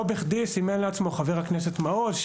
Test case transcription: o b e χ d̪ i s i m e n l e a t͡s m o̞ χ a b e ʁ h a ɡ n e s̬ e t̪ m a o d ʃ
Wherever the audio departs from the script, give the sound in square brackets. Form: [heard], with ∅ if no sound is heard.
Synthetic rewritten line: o b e χ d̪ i s i m e n l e a t͡s m o̞ χ a [v] e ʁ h a [k] n e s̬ e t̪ m a o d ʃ